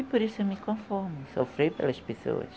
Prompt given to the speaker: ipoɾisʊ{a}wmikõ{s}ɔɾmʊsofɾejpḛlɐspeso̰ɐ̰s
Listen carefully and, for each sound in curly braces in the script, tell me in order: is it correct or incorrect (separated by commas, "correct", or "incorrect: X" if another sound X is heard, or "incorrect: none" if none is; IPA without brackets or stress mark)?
incorrect: e, incorrect: f